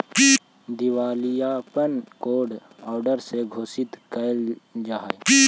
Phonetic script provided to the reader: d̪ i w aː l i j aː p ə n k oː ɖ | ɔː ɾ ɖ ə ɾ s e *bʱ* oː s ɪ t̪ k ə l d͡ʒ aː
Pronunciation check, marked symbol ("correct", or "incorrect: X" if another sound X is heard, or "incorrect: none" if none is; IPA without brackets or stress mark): incorrect: ɡʱ